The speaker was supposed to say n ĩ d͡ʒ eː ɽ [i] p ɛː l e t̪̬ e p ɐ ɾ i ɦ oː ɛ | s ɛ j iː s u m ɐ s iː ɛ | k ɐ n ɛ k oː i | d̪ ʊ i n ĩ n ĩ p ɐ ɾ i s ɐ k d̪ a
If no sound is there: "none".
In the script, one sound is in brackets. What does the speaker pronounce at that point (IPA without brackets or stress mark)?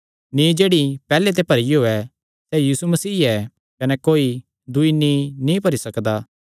i